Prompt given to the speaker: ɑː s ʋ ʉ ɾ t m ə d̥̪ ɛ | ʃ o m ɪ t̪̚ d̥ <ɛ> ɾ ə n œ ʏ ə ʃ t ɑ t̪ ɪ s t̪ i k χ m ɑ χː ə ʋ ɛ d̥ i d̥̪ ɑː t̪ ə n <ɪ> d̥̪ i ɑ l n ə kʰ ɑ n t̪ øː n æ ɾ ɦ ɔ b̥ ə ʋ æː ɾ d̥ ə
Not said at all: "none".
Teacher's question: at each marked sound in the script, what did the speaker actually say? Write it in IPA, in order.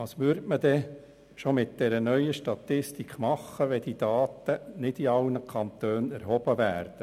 ɛ, ɪ

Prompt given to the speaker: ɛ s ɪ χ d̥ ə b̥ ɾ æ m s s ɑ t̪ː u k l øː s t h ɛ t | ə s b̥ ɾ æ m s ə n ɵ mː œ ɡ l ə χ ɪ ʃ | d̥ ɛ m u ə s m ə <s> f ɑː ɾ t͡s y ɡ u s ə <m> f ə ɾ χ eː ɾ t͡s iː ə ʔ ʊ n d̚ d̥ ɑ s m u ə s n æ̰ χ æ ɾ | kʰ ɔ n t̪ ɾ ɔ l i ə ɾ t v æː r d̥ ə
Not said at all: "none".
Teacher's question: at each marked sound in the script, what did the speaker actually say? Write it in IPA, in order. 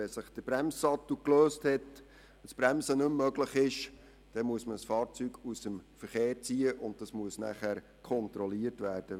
s, m

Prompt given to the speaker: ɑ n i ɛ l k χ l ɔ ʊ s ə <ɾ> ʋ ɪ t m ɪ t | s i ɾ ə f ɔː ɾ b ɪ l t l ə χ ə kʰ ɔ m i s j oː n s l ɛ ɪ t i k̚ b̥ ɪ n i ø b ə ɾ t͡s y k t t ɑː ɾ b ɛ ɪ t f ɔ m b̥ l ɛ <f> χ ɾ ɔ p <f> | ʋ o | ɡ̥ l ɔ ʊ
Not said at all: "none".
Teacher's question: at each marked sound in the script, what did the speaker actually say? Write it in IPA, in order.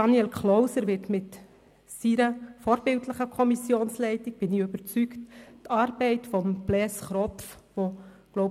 ɾ, s, f

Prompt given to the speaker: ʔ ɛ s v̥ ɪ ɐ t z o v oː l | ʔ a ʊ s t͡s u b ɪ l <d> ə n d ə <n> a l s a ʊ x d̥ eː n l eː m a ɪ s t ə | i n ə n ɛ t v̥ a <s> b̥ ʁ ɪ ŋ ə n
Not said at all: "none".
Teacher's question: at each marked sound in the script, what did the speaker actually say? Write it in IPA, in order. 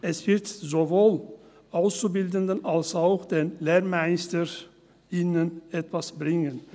d, n, s

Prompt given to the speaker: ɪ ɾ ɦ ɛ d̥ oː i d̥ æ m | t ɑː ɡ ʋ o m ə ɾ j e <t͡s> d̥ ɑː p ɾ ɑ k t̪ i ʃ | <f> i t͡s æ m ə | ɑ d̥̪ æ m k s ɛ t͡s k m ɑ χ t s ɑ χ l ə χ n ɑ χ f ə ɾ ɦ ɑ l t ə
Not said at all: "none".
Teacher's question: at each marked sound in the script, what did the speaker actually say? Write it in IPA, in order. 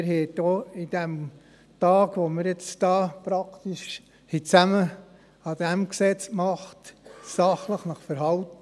t͡s, h

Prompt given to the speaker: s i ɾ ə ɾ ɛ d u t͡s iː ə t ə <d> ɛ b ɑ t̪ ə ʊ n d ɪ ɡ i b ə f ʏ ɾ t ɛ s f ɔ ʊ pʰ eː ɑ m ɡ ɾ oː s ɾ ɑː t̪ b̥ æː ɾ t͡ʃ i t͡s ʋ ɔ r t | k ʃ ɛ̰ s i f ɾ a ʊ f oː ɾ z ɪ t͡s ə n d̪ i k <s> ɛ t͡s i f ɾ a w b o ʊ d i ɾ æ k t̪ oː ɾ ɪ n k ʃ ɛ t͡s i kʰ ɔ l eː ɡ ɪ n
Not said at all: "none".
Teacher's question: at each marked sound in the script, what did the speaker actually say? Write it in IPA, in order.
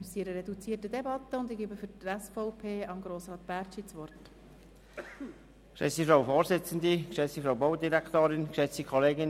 d, ʃ

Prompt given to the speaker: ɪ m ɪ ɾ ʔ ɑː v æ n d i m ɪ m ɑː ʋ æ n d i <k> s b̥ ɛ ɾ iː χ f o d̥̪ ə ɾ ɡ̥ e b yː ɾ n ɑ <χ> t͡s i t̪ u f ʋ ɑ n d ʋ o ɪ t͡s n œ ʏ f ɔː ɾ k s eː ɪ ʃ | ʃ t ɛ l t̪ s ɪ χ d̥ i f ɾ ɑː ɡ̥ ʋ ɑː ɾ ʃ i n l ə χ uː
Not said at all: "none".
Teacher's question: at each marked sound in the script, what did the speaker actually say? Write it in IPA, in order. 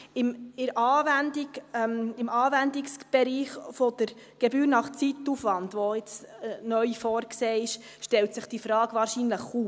k, χ

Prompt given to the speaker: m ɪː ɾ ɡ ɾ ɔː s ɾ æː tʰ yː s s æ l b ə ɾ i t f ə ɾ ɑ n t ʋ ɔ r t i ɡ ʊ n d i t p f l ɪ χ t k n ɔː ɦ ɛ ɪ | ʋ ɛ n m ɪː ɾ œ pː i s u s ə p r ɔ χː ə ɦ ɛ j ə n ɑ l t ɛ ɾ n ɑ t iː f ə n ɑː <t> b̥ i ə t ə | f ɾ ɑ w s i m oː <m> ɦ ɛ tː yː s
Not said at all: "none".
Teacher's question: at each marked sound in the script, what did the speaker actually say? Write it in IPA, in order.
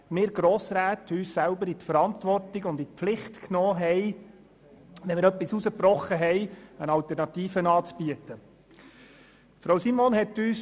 t͡s, n

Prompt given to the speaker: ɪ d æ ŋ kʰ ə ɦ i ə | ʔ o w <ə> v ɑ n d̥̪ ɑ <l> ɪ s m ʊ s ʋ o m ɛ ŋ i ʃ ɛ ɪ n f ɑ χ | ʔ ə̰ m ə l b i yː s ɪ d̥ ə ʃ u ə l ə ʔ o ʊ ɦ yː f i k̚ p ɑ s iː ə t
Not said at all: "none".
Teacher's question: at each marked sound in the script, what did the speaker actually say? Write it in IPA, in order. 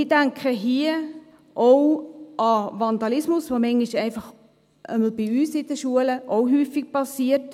ɑ, l

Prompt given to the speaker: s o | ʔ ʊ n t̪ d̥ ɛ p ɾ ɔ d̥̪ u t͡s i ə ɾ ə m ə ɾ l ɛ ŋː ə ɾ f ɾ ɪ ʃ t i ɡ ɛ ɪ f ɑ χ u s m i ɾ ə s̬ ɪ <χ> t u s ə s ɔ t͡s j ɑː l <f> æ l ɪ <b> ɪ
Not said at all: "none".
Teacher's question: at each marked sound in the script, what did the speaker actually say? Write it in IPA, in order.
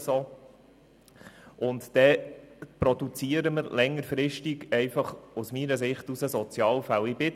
χ, f, b

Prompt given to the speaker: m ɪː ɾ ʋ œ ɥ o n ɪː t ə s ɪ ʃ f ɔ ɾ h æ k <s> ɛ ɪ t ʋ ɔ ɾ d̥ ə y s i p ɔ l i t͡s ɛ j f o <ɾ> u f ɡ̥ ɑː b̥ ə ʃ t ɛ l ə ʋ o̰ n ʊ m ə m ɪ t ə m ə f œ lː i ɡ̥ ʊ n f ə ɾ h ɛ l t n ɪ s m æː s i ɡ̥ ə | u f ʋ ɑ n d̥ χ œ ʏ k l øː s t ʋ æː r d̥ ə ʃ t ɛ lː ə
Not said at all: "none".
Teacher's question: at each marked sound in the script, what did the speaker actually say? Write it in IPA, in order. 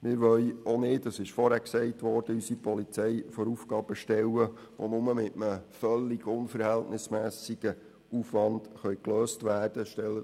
s, ɾ

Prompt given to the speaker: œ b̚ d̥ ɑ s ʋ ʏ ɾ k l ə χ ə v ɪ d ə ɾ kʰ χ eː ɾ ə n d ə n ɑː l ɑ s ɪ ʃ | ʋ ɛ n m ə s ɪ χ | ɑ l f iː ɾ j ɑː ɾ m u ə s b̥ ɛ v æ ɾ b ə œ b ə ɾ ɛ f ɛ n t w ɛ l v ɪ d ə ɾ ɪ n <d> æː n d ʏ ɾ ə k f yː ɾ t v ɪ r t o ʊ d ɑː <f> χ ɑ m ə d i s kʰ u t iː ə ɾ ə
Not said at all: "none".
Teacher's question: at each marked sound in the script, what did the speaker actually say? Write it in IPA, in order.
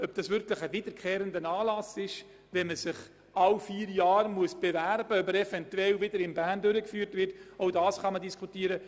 b, s

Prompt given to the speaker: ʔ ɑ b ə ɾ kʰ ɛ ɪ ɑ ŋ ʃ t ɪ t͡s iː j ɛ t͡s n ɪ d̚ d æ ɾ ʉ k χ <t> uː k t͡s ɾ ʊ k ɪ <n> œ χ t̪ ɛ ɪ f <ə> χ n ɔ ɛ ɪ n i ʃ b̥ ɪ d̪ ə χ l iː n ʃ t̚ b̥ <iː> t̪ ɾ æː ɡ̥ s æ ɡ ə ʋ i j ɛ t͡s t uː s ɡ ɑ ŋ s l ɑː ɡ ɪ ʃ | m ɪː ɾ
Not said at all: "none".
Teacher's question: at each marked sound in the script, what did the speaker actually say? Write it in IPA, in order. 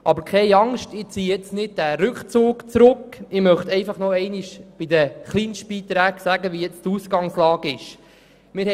t͡s, m, ɑ, iː

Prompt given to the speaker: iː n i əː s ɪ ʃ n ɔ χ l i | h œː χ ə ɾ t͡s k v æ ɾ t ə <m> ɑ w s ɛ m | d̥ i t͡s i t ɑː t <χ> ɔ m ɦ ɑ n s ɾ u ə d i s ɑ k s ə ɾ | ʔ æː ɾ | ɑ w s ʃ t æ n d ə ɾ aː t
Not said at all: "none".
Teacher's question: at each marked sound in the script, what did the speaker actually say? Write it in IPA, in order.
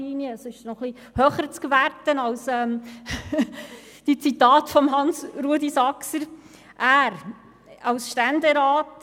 n, f

